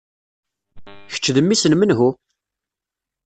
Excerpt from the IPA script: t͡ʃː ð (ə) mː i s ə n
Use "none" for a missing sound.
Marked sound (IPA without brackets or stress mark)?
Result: ə